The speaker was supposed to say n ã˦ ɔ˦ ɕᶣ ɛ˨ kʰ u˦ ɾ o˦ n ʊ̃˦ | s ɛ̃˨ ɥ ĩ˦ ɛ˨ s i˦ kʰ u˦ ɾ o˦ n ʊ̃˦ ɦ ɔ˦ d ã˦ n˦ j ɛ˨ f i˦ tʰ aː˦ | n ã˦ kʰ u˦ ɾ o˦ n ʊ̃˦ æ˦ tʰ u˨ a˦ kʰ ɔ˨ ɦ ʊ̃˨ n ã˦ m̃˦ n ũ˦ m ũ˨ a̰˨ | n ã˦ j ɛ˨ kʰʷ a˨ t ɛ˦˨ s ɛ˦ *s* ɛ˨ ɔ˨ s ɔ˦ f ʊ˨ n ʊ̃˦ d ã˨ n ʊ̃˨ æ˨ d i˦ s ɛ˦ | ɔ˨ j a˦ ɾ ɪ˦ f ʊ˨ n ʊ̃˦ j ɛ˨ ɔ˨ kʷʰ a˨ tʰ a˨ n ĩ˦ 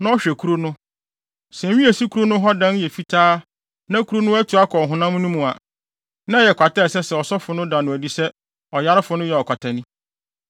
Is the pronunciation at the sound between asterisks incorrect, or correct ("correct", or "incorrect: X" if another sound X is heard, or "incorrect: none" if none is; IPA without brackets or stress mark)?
correct